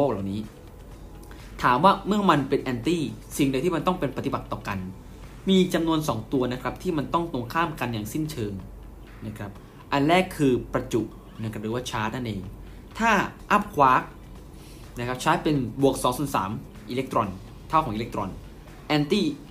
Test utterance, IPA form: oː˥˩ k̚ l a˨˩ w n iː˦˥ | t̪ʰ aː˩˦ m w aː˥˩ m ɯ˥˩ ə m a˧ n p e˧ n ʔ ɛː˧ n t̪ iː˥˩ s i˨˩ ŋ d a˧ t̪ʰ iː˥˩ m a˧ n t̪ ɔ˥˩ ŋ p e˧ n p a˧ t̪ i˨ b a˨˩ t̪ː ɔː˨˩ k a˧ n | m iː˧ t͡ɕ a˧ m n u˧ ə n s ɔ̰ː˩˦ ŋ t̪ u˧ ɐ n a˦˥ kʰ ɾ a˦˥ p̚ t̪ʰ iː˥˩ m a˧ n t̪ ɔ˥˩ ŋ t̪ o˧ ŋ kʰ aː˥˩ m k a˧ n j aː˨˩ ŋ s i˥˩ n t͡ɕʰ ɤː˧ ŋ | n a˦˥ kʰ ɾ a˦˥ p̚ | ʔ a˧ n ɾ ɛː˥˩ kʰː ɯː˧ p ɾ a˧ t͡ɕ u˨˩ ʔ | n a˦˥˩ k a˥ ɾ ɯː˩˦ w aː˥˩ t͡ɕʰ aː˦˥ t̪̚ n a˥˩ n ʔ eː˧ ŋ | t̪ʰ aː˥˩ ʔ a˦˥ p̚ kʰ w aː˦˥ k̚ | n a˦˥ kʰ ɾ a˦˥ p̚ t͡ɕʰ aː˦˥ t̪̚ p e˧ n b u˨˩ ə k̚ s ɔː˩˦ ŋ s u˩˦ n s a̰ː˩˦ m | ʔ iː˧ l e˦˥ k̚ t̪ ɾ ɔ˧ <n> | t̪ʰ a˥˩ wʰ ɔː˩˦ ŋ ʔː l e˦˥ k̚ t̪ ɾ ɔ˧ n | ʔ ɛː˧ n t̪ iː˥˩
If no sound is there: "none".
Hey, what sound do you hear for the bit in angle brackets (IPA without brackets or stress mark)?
n